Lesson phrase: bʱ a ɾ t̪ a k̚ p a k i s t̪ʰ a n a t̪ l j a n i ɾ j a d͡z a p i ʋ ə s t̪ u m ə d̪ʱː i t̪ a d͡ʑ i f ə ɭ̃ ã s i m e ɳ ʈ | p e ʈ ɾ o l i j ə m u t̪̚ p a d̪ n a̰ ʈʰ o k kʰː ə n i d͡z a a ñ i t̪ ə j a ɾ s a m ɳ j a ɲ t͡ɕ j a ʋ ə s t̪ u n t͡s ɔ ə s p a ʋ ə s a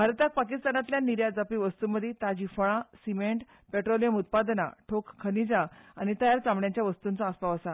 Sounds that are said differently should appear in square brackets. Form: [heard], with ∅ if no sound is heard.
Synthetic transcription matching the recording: bʱ a ɾ t̪ a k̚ p a k i s [t̪] a n a t̪ l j a n i ɾ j a d͡z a p i ʋ ə s t̪ u m ə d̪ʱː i t̪ a d͡ʑ i f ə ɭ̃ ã s i m e ɳ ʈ | p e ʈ ɾ o l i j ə m u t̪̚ p a d̪ n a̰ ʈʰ o k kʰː ə n i d͡z a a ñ i t̪ ə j a ɾ [t͡s] a m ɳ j a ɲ t͡ɕ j a ʋ ə s t̪ u n t͡s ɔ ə s p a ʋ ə s a